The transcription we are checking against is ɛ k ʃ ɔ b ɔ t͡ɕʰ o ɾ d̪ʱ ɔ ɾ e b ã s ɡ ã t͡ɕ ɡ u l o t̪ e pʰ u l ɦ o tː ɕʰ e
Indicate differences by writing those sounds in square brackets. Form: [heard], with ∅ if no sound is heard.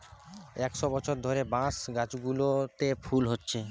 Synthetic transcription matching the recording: ɛ k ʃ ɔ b ɔ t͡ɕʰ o ɾ d̪ʱ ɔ ɾ e b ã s ɡ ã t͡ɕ ɡ u l o t̪ e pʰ u l ɦ o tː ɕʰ e